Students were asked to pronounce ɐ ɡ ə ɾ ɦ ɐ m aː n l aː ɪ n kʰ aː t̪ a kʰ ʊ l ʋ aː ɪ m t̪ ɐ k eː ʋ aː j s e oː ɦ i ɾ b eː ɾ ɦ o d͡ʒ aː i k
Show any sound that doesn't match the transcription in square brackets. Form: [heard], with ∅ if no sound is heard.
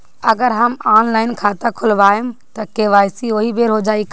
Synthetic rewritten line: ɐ ɡ ə ɾ ɦ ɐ m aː n l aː ɪ n kʰ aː t̪ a kʰ ʊ l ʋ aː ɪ m t̪ ɐ k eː ʋ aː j s [i] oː ɦ i [∅] b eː ɾ ɦ o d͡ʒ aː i k